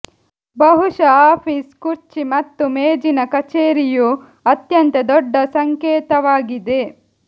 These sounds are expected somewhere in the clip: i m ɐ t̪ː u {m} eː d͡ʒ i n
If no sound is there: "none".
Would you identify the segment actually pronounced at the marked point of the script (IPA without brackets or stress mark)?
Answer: m